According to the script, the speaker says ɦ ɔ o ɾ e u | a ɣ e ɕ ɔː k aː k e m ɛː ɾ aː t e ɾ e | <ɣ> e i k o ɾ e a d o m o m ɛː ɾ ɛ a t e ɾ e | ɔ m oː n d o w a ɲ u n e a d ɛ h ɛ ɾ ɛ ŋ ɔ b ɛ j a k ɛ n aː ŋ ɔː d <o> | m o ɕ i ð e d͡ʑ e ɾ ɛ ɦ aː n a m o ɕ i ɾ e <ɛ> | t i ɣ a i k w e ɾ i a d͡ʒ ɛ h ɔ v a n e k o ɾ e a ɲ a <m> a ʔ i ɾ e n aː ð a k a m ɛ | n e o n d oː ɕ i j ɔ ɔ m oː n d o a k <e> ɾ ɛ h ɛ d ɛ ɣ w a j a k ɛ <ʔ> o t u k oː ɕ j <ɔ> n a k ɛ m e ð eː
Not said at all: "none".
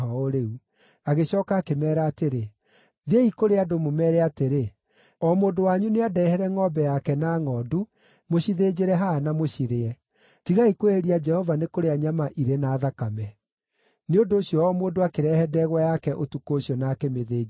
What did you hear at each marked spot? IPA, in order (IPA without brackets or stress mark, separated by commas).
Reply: ð, u, ɛ, m, e, ʔ, ɔ